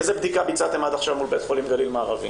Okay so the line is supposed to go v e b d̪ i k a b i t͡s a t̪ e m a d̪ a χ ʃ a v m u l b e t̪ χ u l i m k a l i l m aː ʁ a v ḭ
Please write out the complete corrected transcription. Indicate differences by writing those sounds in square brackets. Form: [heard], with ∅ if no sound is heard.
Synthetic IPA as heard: [z] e b d̪ i k a b i t͡s a t̪ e m a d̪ a χ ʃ a v m u l b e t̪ χ [o] l i m [ɡ] a l i l m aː ʁ a v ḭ